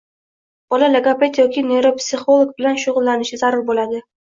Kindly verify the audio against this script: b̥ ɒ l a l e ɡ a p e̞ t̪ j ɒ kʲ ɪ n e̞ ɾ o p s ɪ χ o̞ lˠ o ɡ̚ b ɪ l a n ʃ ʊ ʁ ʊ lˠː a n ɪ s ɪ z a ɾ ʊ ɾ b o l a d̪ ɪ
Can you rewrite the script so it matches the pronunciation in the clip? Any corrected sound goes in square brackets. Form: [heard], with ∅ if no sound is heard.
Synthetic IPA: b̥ ɒ l a l e ɡ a p e̞ t̪ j ɒ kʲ ɪ n e̞ ɾ o p s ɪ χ o̞ lˠ o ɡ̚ b ɪ l a n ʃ ʊ ʁ ʊ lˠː a n ɪ [ʃ] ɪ z a ɾ ʊ ɾ b o l a d̪ ɪ